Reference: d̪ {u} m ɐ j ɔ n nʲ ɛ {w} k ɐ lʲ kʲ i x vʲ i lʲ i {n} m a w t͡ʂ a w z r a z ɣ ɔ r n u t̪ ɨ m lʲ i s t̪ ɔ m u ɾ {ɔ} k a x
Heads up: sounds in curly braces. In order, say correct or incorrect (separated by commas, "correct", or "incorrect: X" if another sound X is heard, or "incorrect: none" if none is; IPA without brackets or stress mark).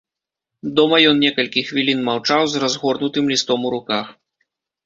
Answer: incorrect: ɔ, incorrect: none, correct, incorrect: u